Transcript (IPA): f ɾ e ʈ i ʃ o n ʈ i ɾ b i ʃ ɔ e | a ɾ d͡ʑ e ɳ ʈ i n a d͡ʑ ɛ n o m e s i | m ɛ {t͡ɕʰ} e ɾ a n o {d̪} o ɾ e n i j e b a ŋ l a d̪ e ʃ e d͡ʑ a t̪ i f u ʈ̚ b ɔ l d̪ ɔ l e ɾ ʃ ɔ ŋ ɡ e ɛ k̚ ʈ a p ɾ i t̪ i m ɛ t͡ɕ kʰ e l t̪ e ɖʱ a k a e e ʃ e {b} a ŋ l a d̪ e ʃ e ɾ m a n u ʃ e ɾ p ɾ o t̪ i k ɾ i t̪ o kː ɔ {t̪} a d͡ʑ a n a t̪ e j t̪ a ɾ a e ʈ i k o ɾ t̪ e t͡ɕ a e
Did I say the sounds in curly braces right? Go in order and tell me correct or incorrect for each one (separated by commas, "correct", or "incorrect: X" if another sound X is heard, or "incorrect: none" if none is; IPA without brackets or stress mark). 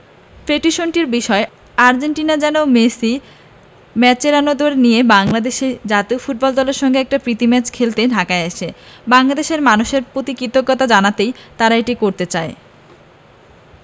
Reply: incorrect: t͡ɕ, correct, correct, correct